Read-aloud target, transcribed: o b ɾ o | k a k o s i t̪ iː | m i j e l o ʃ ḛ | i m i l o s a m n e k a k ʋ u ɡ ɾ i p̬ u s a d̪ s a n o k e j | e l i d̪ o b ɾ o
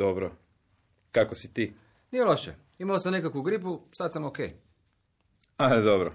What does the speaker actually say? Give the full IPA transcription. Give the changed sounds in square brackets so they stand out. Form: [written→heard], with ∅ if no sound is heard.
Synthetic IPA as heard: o b ɾ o | k a k o s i t̪ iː | [m→n] i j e l o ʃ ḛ | i m [i→a] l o s a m n e k a k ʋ u ɡ ɾ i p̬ u s a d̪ s a [n→m] o k e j | [e→a] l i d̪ o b ɾ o